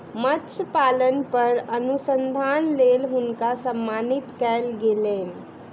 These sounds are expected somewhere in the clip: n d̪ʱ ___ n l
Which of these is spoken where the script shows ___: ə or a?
a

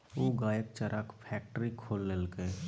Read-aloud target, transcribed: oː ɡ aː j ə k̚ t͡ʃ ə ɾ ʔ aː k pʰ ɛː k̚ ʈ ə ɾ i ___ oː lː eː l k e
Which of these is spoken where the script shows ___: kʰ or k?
kʰ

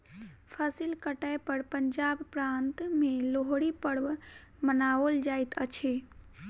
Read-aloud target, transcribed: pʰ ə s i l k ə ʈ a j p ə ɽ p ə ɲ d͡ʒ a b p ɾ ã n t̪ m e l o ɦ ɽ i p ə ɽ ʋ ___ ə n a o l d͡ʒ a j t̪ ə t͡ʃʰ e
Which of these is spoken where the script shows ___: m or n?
m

